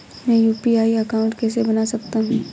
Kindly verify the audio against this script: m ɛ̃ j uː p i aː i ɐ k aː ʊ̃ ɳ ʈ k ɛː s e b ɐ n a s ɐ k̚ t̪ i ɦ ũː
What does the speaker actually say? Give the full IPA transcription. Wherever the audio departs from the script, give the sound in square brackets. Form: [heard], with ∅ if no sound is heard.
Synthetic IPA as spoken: m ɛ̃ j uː p i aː i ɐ k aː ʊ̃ ɳ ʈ k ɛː s e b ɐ n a s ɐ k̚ t̪ [a] ɦ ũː